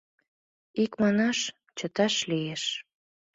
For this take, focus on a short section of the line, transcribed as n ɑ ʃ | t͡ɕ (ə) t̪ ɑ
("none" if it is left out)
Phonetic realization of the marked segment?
ə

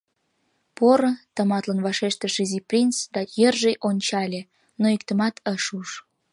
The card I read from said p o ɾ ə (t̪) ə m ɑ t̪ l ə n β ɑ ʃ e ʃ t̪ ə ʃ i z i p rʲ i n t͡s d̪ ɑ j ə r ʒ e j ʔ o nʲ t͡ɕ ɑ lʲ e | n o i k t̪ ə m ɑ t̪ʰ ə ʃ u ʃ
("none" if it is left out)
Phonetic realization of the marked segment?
t̪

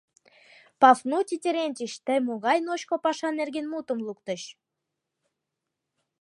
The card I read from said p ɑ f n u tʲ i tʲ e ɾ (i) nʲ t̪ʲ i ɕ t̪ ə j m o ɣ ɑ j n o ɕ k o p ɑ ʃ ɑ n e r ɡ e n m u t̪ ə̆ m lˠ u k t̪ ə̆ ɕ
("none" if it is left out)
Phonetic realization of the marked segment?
e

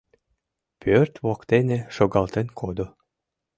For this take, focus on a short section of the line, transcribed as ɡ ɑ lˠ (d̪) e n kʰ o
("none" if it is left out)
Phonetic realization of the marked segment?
t̪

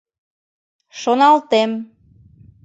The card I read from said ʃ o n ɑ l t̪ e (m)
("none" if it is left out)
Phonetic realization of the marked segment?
m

